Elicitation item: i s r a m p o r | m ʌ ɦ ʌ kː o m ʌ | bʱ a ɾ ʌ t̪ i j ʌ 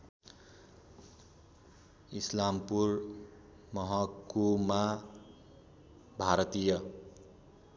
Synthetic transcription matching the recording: i s l a m p u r | m ʌ ɦ ʌ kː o m a | bʱ a ɾ ʌ t̪ i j ʌ